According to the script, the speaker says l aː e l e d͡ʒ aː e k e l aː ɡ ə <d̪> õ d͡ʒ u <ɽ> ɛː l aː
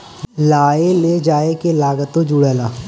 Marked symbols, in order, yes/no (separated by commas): no, yes